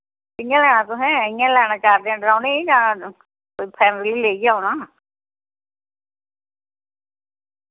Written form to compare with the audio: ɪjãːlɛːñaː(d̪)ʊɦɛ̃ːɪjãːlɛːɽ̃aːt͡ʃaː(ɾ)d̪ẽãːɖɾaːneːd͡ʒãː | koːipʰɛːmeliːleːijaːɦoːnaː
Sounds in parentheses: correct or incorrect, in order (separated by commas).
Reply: incorrect, correct